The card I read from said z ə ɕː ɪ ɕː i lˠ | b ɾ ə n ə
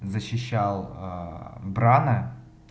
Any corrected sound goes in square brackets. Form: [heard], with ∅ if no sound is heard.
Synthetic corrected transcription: z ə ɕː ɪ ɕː [a] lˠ | b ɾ [a] n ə